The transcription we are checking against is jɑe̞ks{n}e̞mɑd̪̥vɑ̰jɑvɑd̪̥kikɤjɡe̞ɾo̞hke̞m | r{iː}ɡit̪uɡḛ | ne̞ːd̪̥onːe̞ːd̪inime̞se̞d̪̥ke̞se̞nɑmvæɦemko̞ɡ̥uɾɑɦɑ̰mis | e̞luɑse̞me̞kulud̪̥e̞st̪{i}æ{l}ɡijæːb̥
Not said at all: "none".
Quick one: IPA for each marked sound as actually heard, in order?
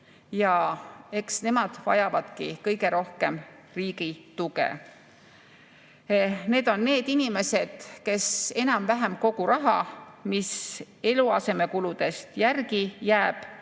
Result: n, iː, j, r

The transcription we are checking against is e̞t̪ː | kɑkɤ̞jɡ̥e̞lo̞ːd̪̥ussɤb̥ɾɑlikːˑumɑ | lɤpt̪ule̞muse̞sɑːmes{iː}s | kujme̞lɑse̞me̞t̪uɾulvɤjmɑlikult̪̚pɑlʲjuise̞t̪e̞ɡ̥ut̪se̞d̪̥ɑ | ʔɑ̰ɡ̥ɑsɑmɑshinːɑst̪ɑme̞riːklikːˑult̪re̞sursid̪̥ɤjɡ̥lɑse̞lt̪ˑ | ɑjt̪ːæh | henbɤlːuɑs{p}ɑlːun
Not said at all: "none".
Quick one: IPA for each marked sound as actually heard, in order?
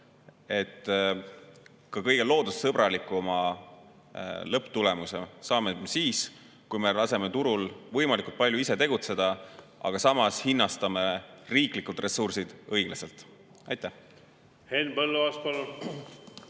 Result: iː, p

